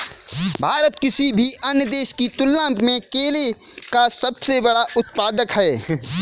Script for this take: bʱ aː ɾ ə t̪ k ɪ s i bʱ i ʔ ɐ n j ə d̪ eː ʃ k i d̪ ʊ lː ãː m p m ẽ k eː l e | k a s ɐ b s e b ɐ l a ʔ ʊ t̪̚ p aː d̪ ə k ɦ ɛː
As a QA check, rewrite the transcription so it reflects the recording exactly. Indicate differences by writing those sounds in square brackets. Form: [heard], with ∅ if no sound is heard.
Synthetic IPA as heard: bʱ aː ɾ ə t̪ k ɪ s i bʱ i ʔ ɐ n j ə d̪ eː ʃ k i [t̪] ʊ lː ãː m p m ẽ k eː l e | k a s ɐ b s e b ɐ [ɽ] a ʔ ʊ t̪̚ p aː d̪ ə k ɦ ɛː